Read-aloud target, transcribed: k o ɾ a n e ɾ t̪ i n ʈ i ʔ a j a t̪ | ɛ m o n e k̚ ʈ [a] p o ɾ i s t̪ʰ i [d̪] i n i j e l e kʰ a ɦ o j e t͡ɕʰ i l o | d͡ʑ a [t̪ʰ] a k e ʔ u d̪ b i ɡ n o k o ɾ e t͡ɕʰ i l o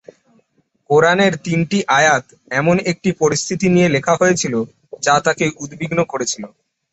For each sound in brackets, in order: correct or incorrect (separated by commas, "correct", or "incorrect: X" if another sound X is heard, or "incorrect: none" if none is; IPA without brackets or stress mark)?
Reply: incorrect: i, incorrect: t̪, incorrect: t̪